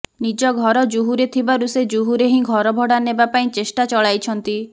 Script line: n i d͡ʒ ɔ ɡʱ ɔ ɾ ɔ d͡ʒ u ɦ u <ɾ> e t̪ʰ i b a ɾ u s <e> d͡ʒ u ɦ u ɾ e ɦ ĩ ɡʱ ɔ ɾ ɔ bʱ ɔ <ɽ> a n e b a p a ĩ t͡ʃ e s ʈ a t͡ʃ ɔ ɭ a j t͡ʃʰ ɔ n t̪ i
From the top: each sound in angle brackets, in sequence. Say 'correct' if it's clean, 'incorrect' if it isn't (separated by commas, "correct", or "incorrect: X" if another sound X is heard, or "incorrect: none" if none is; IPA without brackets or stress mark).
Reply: correct, correct, correct